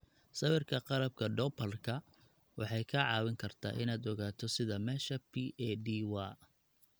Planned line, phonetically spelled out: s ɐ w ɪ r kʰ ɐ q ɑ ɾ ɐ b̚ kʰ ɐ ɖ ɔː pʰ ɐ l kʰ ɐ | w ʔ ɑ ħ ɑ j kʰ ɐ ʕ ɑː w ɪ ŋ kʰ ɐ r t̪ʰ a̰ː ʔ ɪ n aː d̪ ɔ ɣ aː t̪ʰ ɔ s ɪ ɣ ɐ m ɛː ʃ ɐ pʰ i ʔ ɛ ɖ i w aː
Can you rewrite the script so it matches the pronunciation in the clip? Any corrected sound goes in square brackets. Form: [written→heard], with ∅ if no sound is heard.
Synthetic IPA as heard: s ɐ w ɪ r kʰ ɐ q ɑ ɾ ɐ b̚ kʰ ɐ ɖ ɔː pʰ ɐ l kʰ ɐ | w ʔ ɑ ħ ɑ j kʰ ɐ ʕ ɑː w ɪ ŋ kʰ ɐ r t̪ʰ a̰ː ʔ ɪ n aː d̪ ɔ ɣ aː t̪ʰ ɔ s ɪ [ɣ→ð] ɐ m ɛː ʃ ɐ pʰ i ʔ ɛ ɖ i w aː